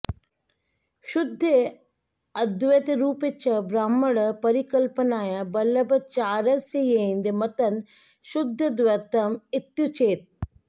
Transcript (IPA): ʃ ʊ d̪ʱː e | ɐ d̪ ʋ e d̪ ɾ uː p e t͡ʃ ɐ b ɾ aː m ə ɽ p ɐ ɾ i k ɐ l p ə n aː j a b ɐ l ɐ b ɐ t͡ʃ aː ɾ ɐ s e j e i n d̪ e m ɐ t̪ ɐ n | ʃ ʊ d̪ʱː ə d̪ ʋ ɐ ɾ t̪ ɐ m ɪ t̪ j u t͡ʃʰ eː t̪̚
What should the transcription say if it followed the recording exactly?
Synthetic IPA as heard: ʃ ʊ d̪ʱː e | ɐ d̪ ʋ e t̪ ɾ uː p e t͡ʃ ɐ b ɾ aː m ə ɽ p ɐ ɾ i k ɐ l p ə n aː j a b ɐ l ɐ b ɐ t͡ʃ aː ɾ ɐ s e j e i n d̪ e m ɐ t̪ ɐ n | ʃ ʊ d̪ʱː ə d̪ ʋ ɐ ɾ t̪ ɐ m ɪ t̪ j u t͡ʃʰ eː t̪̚